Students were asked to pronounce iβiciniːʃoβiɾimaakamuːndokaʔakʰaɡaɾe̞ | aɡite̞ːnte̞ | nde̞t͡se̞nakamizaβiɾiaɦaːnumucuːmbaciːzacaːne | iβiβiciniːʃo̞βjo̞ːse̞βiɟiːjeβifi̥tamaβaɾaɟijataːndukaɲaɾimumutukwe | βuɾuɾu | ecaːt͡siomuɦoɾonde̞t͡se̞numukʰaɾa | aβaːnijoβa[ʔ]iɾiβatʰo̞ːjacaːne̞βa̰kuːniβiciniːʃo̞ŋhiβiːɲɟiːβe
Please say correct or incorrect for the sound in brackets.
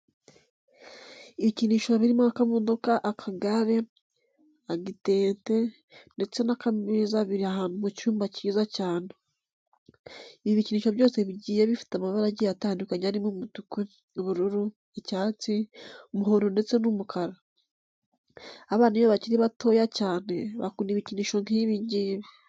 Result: incorrect